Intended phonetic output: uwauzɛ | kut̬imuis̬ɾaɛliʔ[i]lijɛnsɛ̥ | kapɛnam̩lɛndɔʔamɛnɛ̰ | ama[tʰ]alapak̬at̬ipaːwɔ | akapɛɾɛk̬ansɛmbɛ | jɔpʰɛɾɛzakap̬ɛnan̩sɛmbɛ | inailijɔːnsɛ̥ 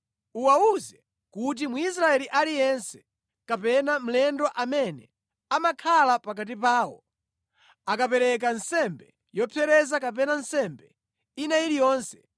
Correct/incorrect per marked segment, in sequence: incorrect, incorrect

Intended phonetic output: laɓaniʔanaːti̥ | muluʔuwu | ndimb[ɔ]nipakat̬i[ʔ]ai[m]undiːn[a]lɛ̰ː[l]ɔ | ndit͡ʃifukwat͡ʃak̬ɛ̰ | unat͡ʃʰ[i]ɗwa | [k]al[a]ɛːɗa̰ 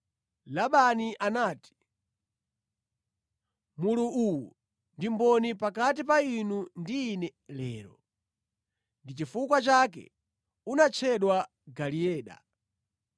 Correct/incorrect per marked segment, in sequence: correct, incorrect, incorrect, incorrect, incorrect, incorrect, incorrect, incorrect

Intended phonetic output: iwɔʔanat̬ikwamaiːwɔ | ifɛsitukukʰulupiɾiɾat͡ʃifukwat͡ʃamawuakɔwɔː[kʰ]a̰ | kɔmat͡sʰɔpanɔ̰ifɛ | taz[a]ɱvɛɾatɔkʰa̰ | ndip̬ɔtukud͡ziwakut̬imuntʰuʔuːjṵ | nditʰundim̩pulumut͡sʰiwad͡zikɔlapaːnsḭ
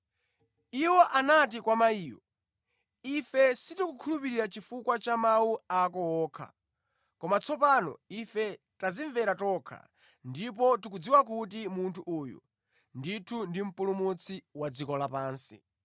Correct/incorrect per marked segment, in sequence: correct, incorrect

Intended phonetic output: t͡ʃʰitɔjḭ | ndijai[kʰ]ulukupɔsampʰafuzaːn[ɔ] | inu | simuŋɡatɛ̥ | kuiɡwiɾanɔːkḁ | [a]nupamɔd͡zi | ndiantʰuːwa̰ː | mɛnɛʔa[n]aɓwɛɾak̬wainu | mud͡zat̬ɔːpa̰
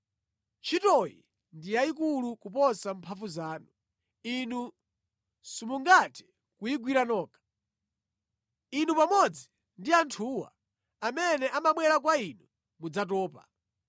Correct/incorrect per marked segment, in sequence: incorrect, incorrect, incorrect, incorrect

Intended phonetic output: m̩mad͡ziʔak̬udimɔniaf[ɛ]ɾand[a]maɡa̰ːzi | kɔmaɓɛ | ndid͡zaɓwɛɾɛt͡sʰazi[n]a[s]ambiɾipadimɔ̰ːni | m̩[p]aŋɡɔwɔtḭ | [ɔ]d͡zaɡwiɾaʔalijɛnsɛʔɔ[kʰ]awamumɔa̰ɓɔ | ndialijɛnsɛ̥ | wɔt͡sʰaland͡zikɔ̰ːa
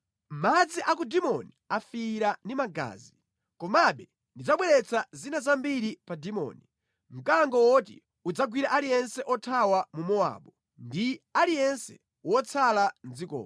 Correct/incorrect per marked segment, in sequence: incorrect, incorrect, correct, incorrect, incorrect, incorrect, incorrect

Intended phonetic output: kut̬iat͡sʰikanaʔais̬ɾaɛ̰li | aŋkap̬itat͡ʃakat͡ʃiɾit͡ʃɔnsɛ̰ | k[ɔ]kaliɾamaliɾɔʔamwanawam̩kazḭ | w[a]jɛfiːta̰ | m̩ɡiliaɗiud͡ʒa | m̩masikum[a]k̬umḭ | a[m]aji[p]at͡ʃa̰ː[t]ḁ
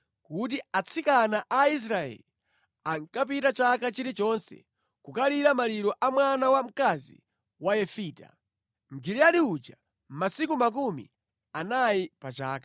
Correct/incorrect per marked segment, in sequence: incorrect, correct, correct, incorrect, correct, incorrect

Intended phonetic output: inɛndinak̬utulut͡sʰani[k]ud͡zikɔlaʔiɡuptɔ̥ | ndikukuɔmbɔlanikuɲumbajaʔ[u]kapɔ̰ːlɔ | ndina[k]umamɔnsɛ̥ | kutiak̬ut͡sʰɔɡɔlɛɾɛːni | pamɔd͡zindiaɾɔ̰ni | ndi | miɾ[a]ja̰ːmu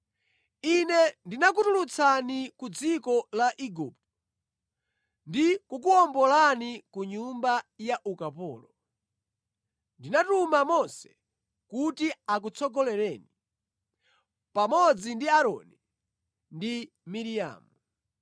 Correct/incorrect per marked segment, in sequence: correct, correct, incorrect, incorrect

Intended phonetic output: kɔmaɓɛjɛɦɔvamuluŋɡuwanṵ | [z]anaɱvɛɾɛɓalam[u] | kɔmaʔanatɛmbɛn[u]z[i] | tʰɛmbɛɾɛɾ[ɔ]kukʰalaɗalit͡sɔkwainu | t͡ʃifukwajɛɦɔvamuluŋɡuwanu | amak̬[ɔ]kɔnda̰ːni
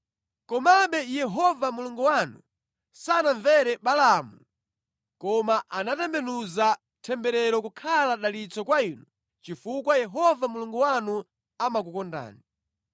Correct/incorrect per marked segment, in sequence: incorrect, correct, correct, incorrect, correct, incorrect

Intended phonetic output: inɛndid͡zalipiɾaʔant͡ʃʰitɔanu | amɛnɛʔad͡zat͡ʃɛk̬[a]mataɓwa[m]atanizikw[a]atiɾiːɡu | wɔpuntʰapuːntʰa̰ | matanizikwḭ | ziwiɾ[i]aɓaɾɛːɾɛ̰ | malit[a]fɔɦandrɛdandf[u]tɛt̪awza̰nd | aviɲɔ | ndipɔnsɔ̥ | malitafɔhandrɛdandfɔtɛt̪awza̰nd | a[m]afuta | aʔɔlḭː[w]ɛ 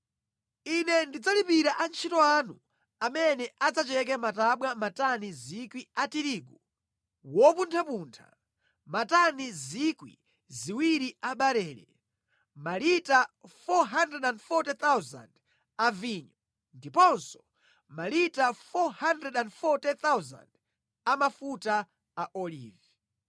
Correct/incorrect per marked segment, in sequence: incorrect, correct, incorrect, correct, correct, incorrect, correct, incorrect

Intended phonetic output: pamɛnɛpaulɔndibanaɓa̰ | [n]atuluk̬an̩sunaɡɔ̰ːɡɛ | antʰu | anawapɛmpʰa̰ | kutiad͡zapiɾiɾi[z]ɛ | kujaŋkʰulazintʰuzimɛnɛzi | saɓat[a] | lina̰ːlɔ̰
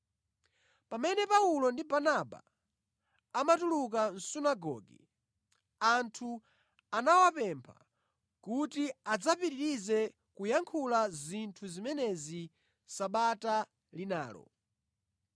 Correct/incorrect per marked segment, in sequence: incorrect, correct, correct

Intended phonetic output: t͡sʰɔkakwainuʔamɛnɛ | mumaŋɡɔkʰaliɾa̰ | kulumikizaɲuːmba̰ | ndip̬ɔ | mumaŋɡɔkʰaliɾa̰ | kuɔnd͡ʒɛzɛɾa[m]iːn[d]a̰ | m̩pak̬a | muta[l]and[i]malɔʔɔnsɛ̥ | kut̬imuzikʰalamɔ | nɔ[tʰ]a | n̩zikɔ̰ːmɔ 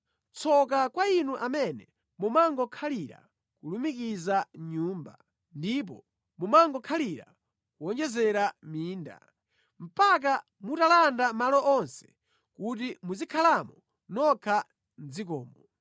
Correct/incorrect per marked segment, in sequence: correct, correct, correct, incorrect, incorrect

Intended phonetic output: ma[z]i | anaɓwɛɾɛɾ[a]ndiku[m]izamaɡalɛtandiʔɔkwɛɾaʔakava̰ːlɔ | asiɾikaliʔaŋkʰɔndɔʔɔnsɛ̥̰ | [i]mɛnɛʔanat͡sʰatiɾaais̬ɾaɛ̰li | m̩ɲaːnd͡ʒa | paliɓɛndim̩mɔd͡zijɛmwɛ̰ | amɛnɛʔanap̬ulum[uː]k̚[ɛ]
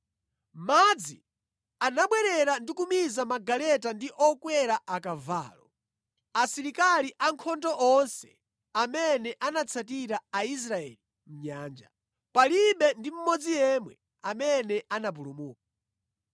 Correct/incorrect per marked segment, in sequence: incorrect, correct, correct, incorrect, correct, incorrect

